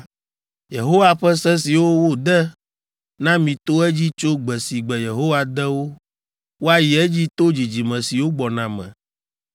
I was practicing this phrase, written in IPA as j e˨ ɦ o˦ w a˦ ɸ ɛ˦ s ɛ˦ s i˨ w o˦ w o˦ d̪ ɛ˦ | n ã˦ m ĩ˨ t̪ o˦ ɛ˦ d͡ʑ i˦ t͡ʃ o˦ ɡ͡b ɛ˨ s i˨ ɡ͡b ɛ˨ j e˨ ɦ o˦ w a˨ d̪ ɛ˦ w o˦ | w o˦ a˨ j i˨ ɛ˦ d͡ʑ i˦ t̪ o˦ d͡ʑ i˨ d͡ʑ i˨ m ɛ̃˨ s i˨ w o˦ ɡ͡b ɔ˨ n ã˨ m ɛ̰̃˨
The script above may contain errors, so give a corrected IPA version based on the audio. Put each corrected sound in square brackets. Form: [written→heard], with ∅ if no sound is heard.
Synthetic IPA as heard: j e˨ ɦ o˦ w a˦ ɸ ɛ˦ s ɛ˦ s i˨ w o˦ w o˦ d̪ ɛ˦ | n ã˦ m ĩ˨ t̪ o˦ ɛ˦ d͡ʑ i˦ t͡ʃ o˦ ɡ͡b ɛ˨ s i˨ ɡ͡b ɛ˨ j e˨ ɦ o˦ w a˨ d̪ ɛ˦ w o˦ | w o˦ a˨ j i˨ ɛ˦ d͡ʑ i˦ t̪ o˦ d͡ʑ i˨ d͡ʑ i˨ m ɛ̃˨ s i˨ w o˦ ɡ͡b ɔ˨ n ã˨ m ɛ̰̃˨

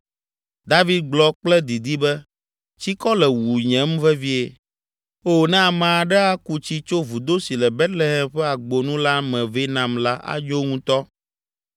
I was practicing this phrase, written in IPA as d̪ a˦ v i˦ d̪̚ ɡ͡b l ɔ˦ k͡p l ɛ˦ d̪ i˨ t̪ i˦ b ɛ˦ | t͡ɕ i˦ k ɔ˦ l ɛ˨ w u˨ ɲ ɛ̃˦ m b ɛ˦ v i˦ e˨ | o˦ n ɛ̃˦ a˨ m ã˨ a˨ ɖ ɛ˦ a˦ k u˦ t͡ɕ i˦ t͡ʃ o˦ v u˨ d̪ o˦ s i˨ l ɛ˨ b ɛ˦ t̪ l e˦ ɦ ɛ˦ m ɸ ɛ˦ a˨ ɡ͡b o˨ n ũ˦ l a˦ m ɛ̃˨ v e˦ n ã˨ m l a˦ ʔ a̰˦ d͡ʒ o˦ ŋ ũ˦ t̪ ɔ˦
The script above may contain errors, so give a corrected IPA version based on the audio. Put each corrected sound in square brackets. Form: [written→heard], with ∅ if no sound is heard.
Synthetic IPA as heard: d̪ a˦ v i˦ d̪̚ ɡ͡b l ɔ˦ k͡p l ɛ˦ d̪ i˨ [t̪→d̪] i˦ b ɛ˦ | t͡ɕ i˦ k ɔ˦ l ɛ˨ w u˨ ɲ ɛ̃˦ m [b→v] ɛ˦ v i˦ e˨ | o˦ n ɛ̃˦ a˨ m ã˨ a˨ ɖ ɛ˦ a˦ k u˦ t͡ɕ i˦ t͡ʃ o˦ v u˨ d̪ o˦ s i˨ l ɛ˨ b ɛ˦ t̪ l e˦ ɦ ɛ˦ m ɸ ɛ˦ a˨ ɡ͡b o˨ n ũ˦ l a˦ m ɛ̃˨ v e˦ n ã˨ m l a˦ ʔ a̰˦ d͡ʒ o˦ ŋ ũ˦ t̪ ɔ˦

